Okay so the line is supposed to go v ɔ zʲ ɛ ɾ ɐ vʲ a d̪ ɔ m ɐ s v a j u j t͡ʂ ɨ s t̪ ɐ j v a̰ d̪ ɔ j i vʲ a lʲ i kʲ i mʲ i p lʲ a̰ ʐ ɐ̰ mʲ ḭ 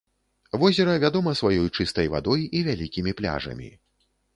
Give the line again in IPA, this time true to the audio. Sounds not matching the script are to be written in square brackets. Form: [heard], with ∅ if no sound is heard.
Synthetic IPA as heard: v ɔ zʲ ɛ ɾ ɐ vʲ a d̪ ɔ m ɐ s v a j [ɔ] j t͡ʂ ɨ s t̪ ɐ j v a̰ d̪ ɔ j i vʲ a lʲ i kʲ i mʲ i p lʲ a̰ ʐ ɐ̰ mʲ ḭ